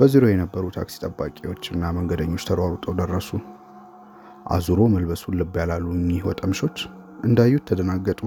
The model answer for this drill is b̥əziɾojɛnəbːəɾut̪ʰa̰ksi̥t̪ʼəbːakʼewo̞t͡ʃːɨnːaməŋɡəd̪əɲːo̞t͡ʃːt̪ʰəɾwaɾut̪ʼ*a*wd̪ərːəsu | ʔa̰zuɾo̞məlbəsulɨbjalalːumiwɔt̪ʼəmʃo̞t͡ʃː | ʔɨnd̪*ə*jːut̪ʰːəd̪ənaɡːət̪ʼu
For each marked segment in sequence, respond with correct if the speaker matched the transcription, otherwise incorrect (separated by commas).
incorrect, incorrect